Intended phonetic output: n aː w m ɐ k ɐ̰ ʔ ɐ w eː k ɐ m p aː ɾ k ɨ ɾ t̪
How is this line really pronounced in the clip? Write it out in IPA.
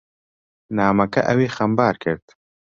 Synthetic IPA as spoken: n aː m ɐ k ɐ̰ ʔ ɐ w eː x ɐ m b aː ɾ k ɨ ɾ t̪